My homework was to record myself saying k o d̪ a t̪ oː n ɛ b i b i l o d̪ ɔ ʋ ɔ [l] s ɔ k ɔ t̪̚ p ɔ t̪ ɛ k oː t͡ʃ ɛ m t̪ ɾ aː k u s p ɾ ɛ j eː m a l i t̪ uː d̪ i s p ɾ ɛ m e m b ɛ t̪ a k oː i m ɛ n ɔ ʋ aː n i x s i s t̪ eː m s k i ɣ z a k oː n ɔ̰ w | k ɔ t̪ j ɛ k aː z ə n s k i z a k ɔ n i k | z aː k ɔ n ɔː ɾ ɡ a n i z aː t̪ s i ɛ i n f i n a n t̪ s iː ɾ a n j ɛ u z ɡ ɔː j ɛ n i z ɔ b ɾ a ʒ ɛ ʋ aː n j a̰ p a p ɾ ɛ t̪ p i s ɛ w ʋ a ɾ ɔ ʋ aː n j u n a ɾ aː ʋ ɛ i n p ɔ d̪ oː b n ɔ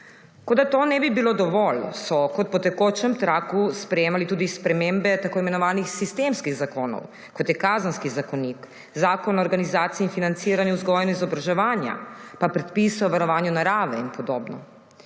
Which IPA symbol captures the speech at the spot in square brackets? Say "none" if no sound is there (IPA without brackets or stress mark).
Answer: l